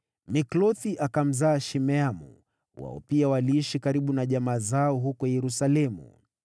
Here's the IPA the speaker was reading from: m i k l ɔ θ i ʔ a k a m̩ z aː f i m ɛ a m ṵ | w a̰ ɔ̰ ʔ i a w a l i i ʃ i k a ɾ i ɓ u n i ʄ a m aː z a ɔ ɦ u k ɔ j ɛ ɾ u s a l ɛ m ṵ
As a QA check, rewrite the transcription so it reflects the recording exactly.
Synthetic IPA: m i k l ɔ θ i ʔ a k a m̩ z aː ʃ i m ɛ a m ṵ | w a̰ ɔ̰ p i a w a l i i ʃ i k a ɾ i ɓ u n a ʄ a m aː z a ɔ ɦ u k ɔ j ɛ ɾ u s a l ɛ m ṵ